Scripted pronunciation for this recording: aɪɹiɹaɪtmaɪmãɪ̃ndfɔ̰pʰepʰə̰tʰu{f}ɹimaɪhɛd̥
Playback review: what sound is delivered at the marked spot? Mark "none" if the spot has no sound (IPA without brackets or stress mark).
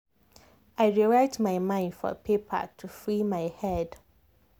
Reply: f